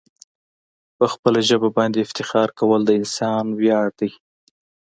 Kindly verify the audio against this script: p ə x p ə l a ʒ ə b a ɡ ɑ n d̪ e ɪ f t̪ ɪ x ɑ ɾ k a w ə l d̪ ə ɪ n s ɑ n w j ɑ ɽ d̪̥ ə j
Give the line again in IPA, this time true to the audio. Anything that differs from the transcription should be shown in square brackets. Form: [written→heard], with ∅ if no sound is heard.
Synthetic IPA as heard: p ə x p ə l a ʒ ə b a [ɡ→b] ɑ n d̪ e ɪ f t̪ ɪ x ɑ ɾ k a w ə l d̪ ə ɪ n s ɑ n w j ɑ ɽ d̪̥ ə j